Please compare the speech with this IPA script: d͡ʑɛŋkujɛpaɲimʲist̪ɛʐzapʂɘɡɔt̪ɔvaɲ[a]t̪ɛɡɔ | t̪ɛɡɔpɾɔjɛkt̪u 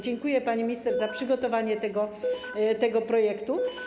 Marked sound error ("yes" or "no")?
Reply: yes